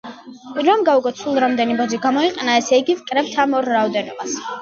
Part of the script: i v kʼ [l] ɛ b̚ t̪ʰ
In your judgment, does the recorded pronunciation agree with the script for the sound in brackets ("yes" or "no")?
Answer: no